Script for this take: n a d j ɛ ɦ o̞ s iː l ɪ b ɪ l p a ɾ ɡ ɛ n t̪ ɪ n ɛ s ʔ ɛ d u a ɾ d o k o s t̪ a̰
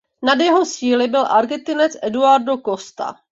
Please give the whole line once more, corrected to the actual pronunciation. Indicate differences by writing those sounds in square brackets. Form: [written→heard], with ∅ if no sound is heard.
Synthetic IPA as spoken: n a d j ɛ ɦ o̞ s iː l ɪ b ɪ l [p→ʔ] a ɾ ɡ ɛ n t̪ ɪ n ɛ [s→t͡s] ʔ ɛ d u a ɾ d o k o s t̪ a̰